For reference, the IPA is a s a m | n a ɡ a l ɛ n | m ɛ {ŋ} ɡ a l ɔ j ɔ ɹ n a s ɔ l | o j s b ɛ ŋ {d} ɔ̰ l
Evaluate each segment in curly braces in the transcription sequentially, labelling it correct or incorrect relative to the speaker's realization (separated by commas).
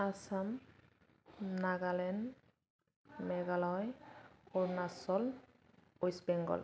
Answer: incorrect, incorrect